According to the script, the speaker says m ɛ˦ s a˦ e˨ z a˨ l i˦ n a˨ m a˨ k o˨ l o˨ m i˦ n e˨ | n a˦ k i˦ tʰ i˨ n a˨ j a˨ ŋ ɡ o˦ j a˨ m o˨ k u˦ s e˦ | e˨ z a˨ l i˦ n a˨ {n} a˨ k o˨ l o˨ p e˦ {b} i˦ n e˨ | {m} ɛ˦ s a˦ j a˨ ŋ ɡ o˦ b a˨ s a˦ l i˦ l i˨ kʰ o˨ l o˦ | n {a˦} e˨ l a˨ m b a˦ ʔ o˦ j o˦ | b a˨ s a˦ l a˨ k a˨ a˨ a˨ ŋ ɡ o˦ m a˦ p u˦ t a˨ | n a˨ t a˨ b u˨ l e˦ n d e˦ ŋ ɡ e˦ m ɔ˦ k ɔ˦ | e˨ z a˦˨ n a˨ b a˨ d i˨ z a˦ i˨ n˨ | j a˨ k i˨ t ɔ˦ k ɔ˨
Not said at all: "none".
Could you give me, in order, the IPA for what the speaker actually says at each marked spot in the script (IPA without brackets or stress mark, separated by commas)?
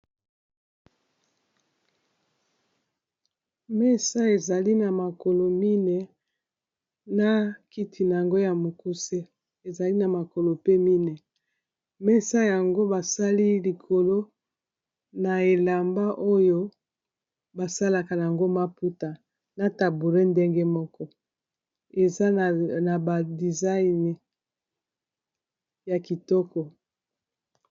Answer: m, m, m, a˨